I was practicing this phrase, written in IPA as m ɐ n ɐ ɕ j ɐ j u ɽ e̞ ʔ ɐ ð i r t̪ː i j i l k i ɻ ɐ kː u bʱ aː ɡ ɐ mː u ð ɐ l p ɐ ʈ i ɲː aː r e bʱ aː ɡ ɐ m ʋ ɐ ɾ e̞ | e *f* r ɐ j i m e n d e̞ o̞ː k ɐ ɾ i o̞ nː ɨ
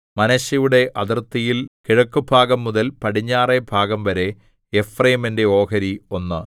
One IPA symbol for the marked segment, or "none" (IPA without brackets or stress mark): f